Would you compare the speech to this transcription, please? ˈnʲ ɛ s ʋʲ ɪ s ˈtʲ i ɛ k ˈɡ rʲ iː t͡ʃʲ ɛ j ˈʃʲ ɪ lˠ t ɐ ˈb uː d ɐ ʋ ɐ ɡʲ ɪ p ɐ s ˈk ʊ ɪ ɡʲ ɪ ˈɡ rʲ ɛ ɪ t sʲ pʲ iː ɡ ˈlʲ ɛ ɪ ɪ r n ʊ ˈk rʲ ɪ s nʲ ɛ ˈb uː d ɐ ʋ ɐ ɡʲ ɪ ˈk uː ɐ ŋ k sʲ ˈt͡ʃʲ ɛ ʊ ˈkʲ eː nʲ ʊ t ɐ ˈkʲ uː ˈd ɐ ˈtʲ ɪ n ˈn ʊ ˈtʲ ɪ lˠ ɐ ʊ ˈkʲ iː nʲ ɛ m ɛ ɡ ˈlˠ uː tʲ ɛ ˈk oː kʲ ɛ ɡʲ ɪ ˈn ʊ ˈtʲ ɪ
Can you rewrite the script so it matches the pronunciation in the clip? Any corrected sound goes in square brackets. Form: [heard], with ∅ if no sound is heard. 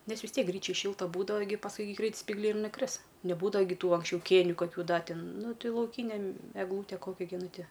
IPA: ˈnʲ ɛ s ʋʲ ɪ s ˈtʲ i ɛ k ˈɡ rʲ iː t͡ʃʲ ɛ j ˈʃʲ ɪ lˠ t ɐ ˈb uː d ɐ ʋ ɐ ɡʲ ɪ p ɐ s ˈk ʊ ɪ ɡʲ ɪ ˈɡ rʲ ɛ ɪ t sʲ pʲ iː ɡ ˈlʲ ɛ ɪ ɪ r n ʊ ˈk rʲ ɪ s nʲ ɛ ˈb uː d ɐ ʋ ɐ ɡʲ ɪ [ˈt] uː ɐ ŋ k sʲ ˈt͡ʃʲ ɛ ʊ ˈkʲ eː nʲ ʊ [k] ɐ ˈkʲ uː ˈd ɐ ˈtʲ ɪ n ˈn ʊ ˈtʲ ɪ lˠ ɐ ʊ ˈkʲ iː nʲ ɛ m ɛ ɡ ˈlˠ uː tʲ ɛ ˈk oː kʲ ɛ ɡʲ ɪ ˈn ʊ ˈtʲ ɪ